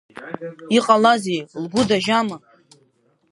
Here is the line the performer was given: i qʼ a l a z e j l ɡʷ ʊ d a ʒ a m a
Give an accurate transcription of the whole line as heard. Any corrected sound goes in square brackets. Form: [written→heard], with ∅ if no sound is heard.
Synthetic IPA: i qʼ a l a z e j l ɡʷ ʊ d a ʒ a m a